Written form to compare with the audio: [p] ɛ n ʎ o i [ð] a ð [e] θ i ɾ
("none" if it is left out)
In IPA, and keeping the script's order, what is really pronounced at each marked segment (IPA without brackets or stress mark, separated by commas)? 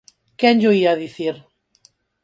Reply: k, none, i